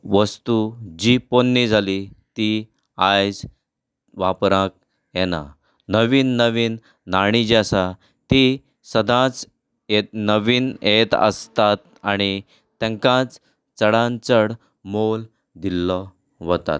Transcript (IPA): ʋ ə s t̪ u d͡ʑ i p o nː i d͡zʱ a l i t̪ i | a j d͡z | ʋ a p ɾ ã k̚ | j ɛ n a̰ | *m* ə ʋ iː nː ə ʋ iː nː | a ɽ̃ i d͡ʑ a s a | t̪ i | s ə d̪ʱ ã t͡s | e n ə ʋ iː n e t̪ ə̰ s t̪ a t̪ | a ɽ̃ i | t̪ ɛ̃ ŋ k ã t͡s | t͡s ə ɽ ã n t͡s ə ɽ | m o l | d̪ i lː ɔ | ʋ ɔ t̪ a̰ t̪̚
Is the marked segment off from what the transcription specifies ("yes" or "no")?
yes